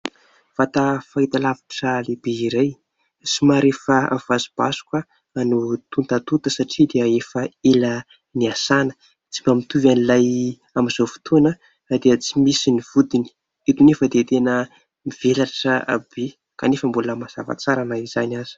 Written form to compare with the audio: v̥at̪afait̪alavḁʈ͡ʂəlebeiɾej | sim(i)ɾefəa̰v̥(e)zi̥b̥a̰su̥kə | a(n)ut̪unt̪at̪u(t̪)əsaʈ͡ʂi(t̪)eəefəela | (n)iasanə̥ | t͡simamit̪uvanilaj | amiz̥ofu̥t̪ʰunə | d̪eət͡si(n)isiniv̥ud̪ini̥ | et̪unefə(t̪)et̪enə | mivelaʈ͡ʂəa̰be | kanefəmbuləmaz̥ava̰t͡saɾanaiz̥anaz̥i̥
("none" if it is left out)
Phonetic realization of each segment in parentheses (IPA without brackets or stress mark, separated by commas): a, a, n, t̪, d̪, n, m, d̪